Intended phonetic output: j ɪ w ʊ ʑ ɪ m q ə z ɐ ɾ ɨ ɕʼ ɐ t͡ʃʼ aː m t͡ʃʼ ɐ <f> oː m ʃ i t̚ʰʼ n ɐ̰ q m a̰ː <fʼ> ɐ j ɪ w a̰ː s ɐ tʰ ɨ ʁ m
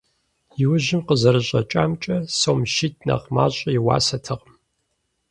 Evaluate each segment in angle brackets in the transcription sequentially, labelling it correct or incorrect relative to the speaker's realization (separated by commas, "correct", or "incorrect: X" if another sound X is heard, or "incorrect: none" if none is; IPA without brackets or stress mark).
incorrect: s, incorrect: ɕʼ